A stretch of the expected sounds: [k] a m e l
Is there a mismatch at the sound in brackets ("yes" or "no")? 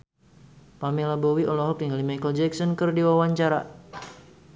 yes